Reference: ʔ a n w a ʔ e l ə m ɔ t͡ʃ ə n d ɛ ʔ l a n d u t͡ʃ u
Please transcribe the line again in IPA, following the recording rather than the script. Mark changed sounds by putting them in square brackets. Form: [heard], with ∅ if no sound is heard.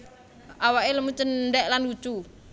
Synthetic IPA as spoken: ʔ a [∅] w a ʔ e l ə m [u] t͡ʃ ə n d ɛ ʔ l a n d u t͡ʃ u